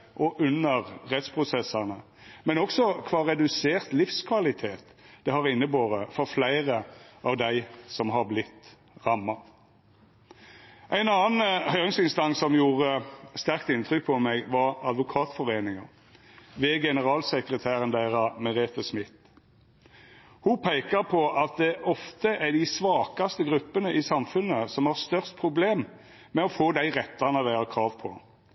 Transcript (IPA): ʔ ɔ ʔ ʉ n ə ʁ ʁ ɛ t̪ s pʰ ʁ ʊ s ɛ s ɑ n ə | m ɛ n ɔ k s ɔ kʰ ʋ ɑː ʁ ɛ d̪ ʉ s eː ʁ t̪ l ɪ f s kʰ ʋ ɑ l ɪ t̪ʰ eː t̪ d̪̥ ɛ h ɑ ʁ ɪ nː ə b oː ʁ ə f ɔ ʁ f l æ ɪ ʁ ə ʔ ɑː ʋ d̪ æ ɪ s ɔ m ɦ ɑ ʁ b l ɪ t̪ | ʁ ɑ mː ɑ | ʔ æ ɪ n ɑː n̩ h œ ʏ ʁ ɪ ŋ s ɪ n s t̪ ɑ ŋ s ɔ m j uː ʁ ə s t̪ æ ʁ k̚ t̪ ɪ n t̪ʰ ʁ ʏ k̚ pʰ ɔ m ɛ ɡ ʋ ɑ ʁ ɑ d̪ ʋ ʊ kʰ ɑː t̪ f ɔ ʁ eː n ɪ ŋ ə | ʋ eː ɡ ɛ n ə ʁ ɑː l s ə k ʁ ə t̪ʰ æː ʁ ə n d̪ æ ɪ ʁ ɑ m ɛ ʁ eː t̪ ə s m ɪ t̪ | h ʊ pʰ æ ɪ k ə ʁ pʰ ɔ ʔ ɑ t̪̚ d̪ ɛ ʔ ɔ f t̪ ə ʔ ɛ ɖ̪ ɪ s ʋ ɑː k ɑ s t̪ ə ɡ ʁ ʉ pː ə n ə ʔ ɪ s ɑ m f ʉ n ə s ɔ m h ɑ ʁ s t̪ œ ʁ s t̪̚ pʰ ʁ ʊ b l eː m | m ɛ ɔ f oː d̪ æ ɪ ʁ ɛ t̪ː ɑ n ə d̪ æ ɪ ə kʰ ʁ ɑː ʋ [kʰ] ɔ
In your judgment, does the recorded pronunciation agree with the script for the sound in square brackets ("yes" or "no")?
no